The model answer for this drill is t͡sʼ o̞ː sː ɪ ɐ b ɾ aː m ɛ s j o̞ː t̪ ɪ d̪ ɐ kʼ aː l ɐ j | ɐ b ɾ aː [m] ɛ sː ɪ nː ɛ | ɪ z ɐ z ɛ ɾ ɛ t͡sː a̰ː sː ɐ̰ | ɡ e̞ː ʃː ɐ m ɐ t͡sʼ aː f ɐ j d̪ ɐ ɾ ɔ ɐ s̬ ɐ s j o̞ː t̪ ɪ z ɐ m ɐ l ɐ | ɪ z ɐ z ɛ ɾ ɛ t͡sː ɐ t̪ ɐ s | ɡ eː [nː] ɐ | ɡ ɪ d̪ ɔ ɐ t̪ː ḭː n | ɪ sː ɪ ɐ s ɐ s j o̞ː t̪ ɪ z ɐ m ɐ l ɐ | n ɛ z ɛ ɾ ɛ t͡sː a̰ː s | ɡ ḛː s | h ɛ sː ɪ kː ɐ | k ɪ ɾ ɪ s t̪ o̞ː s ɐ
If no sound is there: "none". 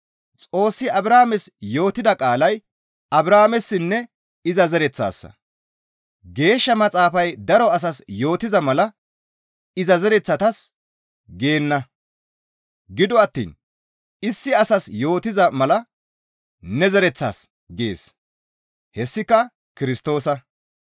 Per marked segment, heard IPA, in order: m, nː

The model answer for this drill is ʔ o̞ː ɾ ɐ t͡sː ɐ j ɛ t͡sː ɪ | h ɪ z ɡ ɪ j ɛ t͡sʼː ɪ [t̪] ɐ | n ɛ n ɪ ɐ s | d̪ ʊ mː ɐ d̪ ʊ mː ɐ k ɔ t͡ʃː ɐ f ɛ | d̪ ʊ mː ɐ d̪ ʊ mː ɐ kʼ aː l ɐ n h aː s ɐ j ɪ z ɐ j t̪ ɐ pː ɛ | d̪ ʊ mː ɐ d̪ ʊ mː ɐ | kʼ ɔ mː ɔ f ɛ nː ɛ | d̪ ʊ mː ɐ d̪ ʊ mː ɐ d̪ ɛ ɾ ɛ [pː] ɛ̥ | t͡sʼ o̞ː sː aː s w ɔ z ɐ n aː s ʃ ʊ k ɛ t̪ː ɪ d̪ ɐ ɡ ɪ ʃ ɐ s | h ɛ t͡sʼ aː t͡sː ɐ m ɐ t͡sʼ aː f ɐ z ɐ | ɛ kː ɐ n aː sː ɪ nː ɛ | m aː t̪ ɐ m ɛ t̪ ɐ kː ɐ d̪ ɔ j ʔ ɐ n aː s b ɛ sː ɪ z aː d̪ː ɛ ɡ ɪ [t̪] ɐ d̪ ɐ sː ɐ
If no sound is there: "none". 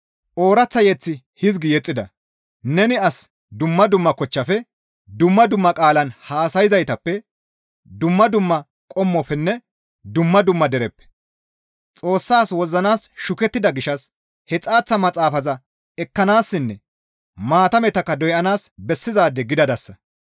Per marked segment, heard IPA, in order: d̪, pː, d̪

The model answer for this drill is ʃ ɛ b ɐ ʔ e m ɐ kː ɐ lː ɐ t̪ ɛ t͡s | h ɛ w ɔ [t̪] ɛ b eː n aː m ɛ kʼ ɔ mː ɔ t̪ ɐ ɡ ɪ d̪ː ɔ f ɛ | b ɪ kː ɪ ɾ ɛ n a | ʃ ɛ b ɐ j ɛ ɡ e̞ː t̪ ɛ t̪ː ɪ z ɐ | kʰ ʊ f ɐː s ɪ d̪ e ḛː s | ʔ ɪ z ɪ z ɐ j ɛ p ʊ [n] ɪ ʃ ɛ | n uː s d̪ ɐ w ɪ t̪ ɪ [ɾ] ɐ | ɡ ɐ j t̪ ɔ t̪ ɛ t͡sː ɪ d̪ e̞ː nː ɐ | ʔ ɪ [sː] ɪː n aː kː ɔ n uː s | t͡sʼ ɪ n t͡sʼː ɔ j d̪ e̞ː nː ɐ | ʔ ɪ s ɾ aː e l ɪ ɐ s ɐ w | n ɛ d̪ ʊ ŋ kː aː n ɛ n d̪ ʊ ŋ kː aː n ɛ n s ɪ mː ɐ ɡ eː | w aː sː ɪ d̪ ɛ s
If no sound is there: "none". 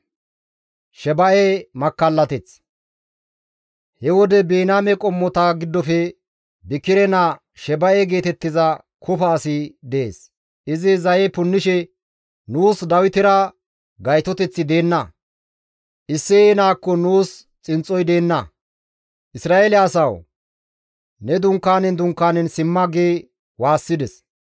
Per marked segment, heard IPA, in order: d̪, nː, ɾ, sː

